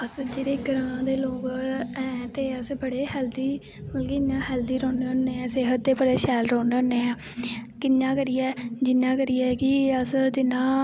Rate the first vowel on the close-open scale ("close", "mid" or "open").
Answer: mid